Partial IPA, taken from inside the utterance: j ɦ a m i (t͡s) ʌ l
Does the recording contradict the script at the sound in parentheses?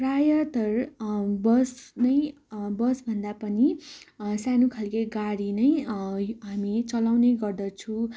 no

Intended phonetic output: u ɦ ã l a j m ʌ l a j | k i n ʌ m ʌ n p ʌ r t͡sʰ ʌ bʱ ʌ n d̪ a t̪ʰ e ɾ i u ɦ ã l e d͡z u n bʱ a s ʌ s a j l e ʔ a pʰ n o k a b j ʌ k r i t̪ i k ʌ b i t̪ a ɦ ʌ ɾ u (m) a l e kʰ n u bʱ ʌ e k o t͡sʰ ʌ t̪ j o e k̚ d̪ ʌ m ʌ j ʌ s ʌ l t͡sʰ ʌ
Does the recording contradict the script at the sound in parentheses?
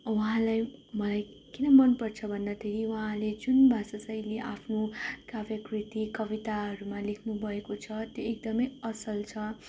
no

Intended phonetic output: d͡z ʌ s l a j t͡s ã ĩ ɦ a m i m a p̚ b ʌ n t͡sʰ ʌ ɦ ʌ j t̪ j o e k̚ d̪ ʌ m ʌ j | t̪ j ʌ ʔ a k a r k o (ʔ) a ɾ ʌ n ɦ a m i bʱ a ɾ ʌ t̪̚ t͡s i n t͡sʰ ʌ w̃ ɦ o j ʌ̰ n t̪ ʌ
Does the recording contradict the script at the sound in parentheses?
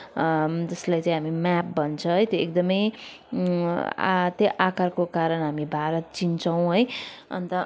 yes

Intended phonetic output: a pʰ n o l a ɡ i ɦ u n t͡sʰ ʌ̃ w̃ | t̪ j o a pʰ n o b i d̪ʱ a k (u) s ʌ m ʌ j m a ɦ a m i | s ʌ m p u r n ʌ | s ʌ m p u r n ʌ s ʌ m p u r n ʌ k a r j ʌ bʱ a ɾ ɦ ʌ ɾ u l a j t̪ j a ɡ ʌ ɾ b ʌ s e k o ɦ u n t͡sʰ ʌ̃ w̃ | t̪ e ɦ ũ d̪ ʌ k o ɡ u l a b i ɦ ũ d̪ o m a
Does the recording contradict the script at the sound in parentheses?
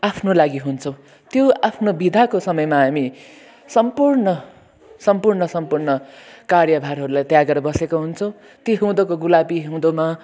yes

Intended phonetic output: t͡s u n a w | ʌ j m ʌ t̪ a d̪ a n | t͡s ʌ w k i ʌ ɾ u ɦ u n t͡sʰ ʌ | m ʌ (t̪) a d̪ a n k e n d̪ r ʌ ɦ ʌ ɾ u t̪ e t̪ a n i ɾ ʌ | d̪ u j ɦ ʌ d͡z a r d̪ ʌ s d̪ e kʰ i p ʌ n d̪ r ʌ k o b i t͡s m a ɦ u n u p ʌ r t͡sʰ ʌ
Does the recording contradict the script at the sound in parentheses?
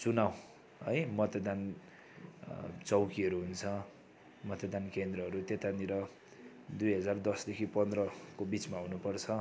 no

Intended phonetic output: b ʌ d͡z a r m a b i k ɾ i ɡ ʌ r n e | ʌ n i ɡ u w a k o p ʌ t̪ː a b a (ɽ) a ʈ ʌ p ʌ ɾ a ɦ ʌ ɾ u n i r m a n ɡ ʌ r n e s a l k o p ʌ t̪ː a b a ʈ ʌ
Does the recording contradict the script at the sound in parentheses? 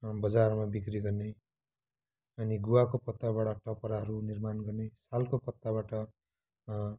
no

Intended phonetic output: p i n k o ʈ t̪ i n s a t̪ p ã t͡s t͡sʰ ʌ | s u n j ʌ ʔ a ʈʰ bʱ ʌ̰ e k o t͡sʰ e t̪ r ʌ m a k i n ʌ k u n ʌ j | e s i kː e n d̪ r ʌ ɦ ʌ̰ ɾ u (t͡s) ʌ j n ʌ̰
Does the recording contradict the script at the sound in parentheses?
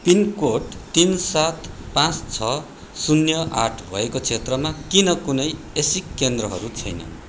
yes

